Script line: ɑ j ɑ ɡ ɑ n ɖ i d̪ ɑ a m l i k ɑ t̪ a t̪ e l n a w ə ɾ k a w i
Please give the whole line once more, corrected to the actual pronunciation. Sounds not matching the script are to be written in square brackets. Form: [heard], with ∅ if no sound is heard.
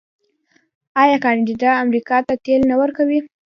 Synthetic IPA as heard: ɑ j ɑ [k] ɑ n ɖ i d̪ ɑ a m [ɾ] i k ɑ t̪ a t̪ e l n a w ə ɾ k a w i